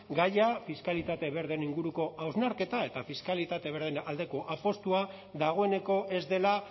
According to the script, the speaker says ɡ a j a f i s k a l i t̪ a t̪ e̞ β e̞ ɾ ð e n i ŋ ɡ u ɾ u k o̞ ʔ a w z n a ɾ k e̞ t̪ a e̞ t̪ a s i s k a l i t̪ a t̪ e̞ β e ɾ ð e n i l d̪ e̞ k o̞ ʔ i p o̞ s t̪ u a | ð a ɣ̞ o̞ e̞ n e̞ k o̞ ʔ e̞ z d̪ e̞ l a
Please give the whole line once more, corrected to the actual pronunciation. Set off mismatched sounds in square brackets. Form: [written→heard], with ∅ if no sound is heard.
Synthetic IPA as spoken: ɡ a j a f i s k a l i t̪ a t̪ e̞ β e̞ ɾ ð e n i ŋ ɡ u ɾ u k o̞ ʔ a w z n a ɾ k e̞ t̪ a e̞ t̪ a [s→f] i s k a l i t̪ a t̪ e̞ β e ɾ ð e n [i→a] l d̪ e̞ k o̞ ʔ [i→a] p o̞ s t̪ u a | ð a ɣ̞ o̞ e̞ n e̞ k o̞ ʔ e̞ z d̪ e̞ l a

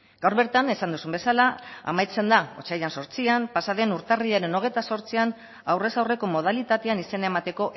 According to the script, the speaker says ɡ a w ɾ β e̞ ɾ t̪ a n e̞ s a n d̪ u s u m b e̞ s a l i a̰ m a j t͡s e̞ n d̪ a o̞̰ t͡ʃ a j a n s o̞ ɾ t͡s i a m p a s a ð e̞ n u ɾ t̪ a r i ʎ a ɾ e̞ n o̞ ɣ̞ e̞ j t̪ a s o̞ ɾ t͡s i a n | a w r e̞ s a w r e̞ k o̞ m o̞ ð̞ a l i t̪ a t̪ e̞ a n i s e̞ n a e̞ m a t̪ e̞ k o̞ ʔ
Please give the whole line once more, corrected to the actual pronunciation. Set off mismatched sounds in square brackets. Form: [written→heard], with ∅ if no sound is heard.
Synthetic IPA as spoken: ɡ a w ɾ β e̞ ɾ t̪ a n e̞ s a n d̪ u s u m b e̞ s a l [i→a] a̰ m a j t͡s e̞ n d̪ a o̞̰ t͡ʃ a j a n s o̞ ɾ t͡s i a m p a s a ð e̞ n u ɾ t̪ a r i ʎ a ɾ e̞ n o̞ ɣ̞ e̞ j t̪ a s o̞ ɾ t͡s i a n | a w r e̞ s a w r e̞ k o̞ m o̞ ð̞ a l i t̪ a t̪ e̞ a n i s e̞ n a e̞ m a t̪ e̞ k o̞ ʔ

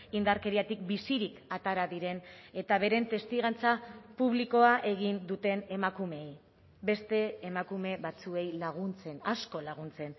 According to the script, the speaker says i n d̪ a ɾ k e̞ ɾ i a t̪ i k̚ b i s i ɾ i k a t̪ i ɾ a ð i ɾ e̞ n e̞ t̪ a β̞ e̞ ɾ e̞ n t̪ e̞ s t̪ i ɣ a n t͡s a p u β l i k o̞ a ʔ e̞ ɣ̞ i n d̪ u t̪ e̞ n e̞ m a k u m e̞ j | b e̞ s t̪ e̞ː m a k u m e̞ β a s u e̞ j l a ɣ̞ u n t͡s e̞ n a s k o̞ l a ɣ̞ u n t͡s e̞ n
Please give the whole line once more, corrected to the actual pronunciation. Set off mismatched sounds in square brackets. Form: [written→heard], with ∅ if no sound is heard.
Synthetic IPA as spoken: i n d̪ a ɾ k e̞ ɾ i a t̪ i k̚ b i s i ɾ i k a t̪ [i→a] ɾ a ð i ɾ e̞ n e̞ t̪ a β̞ e̞ ɾ e̞ n t̪ e̞ s t̪ i ɣ a n t͡s a p u β l i k o̞ a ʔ e̞ ɣ̞ i n d̪ u t̪ e̞ n e̞ m a k u m e̞ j | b e̞ s t̪ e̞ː m a k u m e̞ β a [s→t͡s] u e̞ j l a ɣ̞ u n t͡s e̞ n a s k o̞ l a ɣ̞ u n t͡s e̞ n

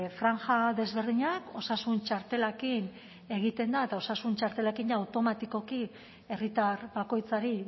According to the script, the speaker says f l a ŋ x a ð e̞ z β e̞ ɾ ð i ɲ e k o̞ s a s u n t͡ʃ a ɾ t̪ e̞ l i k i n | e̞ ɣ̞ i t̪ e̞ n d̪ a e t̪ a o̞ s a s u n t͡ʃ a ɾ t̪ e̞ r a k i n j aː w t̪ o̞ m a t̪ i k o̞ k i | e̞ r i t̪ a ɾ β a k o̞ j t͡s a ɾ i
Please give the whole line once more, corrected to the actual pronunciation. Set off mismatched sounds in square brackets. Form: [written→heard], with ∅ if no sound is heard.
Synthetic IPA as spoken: f [l→ɾ] a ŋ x a ð e̞ z β e̞ ɾ ð i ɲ [e→a] k o̞ s a s u n t͡ʃ a ɾ t̪ e̞ l [i→a] k i n | e̞ ɣ̞ i t̪ e̞ n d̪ a e t̪ a o̞ s a s u n t͡ʃ a ɾ t̪ e̞ [r→l] a k i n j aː w t̪ o̞ m a t̪ i k o̞ k i | e̞ r i t̪ a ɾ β a k o̞ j t͡s a ɾ i

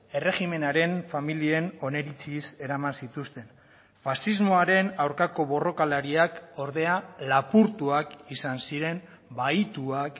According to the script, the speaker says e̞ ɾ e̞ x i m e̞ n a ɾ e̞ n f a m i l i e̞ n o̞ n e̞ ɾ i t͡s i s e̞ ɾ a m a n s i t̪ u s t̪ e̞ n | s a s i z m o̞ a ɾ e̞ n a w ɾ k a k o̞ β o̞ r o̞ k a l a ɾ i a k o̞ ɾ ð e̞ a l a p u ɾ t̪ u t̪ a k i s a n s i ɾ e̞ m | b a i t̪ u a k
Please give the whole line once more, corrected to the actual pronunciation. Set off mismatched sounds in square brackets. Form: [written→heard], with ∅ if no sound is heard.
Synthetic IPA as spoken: e̞ [ɾ→r] e̞ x i m e̞ n a ɾ e̞ n f a m i l i e̞ n o̞ n e̞ ɾ i t͡s i s e̞ ɾ a m a n s i t̪ u s t̪ e̞ n | [s→f] a s i z m o̞ a ɾ e̞ n a w ɾ k a k o̞ β o̞ r o̞ k a l a ɾ i a k o̞ ɾ ð e̞ a l a p u ɾ t̪ u [t̪→∅] a k i s a n s i ɾ e̞ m | b a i t̪ u a k

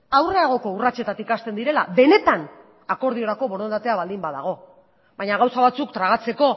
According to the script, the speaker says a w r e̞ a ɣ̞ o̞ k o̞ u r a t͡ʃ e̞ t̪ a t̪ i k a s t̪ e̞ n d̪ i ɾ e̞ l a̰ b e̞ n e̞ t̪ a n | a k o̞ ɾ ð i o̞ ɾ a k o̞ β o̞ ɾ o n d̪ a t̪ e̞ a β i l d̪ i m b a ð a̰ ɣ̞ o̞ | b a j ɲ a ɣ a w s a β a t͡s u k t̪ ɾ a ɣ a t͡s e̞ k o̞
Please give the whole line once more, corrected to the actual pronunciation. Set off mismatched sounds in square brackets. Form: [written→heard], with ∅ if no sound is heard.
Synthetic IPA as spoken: a w r e̞ a ɣ̞ o̞ k o̞ u r a t͡ʃ e̞ t̪ a t̪ i k a s t̪ e̞ n d̪ i ɾ e̞ l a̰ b e̞ n e̞ t̪ a n | a k o̞ ɾ ð i o̞ ɾ a k o̞ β o̞ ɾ o n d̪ a t̪ e̞ a β [i→a] l d̪ i m b a ð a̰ ɣ̞ o̞ | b a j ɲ a ɣ a w s a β a t͡s u k t̪ ɾ a ɣ a t͡s e̞ k o̞

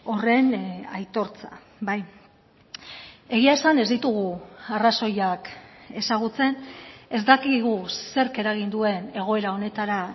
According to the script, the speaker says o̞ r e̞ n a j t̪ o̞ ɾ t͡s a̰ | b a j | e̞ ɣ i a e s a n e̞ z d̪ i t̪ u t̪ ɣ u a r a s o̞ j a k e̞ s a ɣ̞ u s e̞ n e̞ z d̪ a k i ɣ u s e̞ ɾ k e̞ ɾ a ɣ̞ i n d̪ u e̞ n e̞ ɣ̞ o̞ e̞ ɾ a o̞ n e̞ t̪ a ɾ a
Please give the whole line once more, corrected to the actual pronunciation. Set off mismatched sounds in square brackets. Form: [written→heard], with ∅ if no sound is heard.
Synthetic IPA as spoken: o̞ r e̞ n a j t̪ o̞ ɾ t͡s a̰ | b a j | e̞ ɣ i a e s a n e̞ z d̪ i t̪ u [t̪→∅] ɣ u a r a s o̞ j a k e̞ s a ɣ̞ u [s→t͡s] e̞ n e̞ z d̪ a k i ɣ u s e̞ ɾ k e̞ ɾ a ɣ̞ i n d̪ u e̞ n e̞ ɣ̞ o̞ e̞ ɾ a o̞ n e̞ t̪ a ɾ a

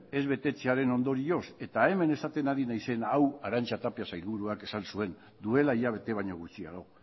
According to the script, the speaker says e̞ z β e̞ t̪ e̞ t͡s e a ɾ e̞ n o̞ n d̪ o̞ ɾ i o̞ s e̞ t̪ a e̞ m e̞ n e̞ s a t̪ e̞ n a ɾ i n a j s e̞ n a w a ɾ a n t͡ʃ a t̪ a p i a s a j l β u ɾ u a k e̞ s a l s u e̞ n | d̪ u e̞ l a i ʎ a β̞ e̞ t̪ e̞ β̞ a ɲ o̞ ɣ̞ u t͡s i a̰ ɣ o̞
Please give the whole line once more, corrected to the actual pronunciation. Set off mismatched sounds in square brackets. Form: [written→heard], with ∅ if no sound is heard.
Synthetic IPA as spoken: e̞ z β e̞ t̪ e̞ t͡s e a ɾ e̞ n o̞ n d̪ o̞ ɾ i o̞ s e̞ t̪ a e̞ m e̞ n e̞ s a t̪ e̞ n a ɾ i n a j s e̞ n a w a ɾ a n t͡ʃ a t̪ a p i a s a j l β u ɾ u a k e̞ s a l s u e̞ n | d̪ u e̞ l a i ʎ a β̞ e̞ t̪ e̞ β̞ a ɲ o̞ ɣ̞ u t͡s i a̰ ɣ o̞

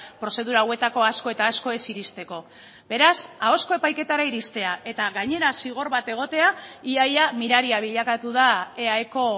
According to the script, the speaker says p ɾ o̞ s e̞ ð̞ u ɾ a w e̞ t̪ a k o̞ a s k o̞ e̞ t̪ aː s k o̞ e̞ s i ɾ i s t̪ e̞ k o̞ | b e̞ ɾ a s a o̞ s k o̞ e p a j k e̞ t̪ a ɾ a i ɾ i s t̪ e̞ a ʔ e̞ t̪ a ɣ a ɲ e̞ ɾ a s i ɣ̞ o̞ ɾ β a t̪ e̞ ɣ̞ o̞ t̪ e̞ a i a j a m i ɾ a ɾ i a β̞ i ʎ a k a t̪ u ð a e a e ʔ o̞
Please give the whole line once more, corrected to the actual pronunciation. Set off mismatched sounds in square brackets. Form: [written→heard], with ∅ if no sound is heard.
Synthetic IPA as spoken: p ɾ o̞ s e̞ ð̞ u ɾ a w e̞ t̪ a k o̞ a s k o̞ e̞ t̪ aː s k o̞ e̞ s i ɾ i s t̪ e̞ k o̞ | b e̞ ɾ a s a o̞ s k o̞ e p a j k e̞ t̪ a ɾ a i ɾ i s t̪ e̞ a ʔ e̞ t̪ a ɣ a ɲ e̞ ɾ a s i ɣ̞ o̞ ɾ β a t̪ e̞ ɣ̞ o̞ t̪ e̞ a i a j a m i ɾ a ɾ i a β̞ i ʎ a k a t̪ u ð a e a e [ʔ→k] o̞

